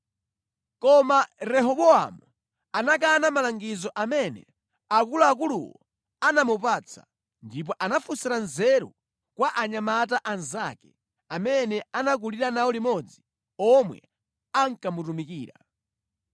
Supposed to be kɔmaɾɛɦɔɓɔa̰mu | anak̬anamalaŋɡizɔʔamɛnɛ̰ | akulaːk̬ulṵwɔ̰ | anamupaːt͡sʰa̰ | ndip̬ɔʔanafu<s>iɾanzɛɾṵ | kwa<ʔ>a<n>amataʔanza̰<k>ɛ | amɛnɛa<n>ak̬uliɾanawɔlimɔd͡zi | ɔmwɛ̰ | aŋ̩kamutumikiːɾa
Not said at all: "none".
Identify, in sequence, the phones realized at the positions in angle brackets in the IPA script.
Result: s, ʔ, ɲ, k, n

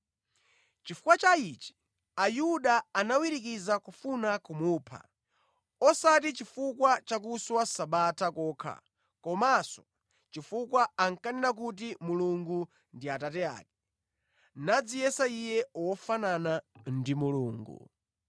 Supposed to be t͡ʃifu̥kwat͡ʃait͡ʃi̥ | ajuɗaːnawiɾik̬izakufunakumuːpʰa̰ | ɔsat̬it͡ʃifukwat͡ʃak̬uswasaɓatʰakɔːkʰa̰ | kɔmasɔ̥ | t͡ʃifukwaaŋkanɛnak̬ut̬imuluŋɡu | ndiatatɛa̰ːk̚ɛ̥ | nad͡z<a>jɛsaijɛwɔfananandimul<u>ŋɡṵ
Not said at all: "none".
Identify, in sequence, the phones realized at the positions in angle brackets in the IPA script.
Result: i, uː

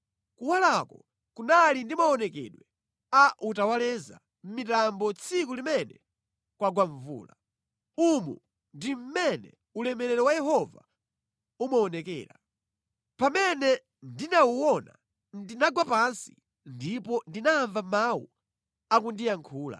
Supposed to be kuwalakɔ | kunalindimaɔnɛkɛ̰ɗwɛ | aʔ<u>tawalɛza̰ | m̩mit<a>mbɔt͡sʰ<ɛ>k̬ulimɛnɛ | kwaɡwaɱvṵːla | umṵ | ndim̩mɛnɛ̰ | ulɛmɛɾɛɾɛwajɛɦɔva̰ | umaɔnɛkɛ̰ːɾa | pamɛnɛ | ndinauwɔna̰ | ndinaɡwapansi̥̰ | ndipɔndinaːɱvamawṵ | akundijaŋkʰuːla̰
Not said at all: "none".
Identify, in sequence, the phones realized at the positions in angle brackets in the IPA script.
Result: u, a, i

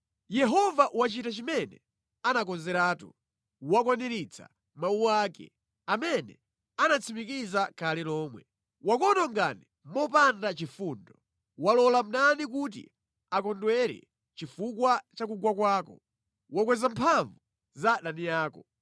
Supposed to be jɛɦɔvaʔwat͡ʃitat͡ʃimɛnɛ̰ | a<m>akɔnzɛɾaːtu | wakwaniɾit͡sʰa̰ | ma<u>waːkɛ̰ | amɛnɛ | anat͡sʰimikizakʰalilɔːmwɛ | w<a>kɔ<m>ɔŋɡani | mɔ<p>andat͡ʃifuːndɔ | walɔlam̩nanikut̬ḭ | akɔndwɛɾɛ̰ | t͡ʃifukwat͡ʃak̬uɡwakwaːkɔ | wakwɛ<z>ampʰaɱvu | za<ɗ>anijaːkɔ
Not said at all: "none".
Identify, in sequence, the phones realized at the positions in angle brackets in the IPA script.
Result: n, u, a, n, p, z, ɗ

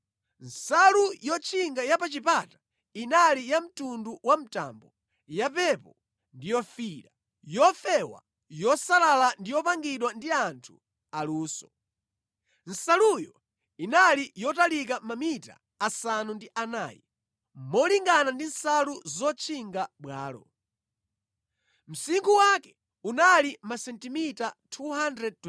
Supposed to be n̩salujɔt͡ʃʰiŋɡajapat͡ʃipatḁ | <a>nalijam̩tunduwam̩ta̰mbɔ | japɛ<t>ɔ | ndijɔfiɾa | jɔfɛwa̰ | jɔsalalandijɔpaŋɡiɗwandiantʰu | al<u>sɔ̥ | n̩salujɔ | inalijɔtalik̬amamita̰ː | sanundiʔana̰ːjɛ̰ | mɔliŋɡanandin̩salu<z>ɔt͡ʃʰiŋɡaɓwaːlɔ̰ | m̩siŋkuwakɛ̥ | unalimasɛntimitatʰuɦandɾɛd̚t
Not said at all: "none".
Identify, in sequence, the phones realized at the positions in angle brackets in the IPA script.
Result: i, p, uː, z

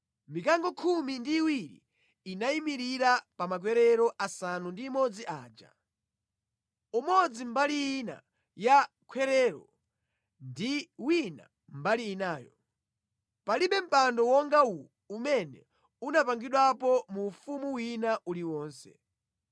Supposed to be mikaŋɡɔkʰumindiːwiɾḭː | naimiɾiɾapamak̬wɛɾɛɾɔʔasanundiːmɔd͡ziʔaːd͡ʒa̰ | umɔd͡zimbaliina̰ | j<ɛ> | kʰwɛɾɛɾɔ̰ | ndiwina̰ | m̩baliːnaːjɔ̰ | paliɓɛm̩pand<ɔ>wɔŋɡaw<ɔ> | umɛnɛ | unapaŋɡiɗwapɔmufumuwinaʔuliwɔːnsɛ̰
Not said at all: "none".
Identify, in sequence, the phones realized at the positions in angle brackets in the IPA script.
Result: a, ɔ, u

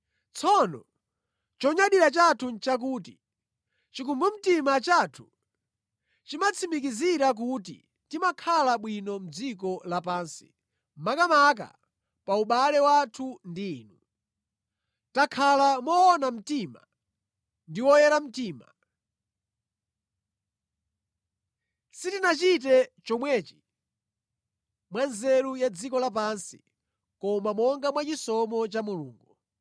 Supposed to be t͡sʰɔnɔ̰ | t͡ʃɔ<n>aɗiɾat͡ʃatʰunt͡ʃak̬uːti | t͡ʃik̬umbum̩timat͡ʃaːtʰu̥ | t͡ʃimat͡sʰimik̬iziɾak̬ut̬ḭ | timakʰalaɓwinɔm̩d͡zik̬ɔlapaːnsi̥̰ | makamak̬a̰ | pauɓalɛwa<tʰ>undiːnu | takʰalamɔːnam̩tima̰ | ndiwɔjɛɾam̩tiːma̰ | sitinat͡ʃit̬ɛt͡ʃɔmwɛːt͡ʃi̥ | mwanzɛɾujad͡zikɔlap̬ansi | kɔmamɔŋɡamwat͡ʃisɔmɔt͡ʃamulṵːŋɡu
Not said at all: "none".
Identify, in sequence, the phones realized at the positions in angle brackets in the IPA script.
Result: ɲ, tʰ

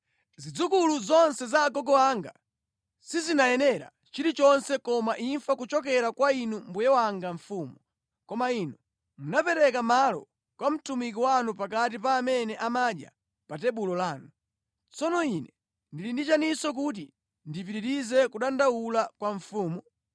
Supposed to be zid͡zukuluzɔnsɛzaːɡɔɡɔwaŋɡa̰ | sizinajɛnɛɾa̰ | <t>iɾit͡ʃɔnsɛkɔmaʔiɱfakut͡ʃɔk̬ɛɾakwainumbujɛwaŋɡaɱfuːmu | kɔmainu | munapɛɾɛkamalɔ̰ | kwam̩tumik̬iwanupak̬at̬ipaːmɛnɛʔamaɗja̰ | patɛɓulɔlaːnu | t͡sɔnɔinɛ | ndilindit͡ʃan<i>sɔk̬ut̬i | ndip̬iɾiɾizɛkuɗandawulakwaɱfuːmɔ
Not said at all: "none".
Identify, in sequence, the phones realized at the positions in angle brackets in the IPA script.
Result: t͡ʃ, i

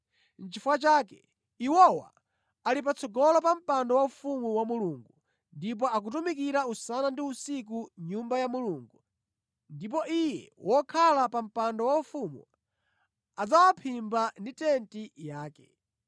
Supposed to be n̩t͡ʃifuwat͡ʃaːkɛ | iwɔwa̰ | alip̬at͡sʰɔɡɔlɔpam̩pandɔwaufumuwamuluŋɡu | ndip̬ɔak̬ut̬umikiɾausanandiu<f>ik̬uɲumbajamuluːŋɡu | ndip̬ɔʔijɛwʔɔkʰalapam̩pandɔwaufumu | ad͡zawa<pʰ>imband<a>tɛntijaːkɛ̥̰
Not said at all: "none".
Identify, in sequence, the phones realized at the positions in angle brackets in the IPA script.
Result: s, pʰ, i

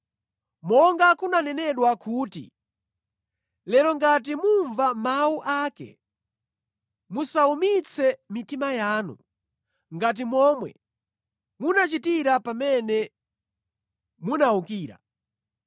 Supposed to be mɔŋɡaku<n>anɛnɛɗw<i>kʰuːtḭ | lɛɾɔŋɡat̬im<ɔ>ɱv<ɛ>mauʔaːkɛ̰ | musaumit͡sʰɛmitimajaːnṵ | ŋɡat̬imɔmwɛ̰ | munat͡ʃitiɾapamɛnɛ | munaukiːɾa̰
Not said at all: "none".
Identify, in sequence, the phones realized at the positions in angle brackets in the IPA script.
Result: n, a, u, a

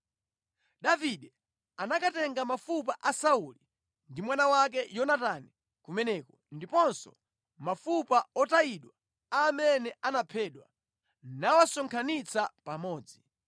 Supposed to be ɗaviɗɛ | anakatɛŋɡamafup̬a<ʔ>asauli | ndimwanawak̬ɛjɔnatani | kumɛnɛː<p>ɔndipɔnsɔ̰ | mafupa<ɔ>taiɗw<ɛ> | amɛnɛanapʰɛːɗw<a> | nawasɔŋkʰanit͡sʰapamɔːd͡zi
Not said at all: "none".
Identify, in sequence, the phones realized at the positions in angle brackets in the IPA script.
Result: ʔ, k, ɔ, a, a

